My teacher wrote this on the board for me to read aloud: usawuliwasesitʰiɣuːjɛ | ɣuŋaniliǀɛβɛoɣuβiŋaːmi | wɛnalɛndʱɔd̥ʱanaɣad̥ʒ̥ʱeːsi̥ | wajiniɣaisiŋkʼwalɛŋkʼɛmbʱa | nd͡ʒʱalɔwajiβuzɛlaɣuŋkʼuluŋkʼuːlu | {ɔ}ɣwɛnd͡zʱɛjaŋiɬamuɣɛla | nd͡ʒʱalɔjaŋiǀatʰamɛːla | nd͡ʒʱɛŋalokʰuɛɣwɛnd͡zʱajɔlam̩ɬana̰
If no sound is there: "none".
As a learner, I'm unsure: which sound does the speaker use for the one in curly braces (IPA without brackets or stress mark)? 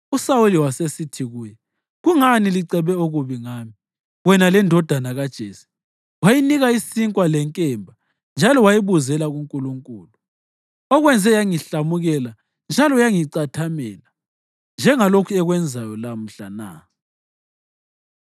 ɔ